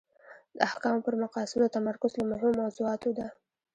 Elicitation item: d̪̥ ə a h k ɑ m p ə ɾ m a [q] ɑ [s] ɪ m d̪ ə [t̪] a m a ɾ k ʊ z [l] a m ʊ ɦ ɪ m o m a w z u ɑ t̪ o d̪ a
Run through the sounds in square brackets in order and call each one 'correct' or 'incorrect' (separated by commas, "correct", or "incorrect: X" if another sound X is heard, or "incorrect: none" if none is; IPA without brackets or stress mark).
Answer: correct, correct, correct, correct